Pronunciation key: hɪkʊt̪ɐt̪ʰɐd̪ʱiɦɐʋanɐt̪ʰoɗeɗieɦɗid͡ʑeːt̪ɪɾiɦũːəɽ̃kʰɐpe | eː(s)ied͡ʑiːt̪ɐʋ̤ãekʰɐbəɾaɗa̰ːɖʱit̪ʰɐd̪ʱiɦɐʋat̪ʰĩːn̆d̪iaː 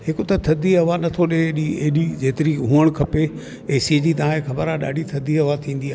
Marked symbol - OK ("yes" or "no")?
yes